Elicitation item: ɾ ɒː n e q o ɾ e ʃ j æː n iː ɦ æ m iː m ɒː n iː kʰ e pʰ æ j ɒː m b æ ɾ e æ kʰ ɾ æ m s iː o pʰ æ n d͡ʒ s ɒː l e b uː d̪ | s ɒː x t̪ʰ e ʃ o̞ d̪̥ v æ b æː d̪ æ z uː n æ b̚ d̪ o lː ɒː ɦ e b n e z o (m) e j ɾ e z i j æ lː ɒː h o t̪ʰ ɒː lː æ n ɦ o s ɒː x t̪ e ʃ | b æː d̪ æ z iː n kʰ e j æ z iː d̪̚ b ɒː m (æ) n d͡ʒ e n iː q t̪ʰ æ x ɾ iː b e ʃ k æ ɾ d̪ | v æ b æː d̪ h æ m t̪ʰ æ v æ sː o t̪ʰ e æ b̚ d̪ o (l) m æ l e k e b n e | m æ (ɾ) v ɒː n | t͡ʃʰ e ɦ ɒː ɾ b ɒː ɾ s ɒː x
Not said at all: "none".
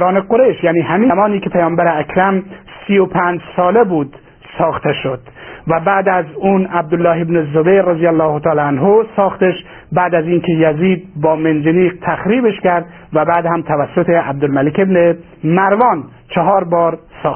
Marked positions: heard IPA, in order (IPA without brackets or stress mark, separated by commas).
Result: b, e, l, ɾ